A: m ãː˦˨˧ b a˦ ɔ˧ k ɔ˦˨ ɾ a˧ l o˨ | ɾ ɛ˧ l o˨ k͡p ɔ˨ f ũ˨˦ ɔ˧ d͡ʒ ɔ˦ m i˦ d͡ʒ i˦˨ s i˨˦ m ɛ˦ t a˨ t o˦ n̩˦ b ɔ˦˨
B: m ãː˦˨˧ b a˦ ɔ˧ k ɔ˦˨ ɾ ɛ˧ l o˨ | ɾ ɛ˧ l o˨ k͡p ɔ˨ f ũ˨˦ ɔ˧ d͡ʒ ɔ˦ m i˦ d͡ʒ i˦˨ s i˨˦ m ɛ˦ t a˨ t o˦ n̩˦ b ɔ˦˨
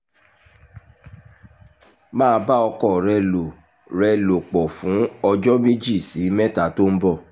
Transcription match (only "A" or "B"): B